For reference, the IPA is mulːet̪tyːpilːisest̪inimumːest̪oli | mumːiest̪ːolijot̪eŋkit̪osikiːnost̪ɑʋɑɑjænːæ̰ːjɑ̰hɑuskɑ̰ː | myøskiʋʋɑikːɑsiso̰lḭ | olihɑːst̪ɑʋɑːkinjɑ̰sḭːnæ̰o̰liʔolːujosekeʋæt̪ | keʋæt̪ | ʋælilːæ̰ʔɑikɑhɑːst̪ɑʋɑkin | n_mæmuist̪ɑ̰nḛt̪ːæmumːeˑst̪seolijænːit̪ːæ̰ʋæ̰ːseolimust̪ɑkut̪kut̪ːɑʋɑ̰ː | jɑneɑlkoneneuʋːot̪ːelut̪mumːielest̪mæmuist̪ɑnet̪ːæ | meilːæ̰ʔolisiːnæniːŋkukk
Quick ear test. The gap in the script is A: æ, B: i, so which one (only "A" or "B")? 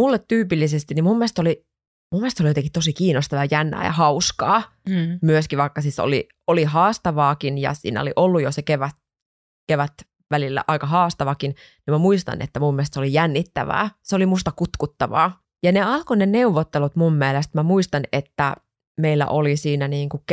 B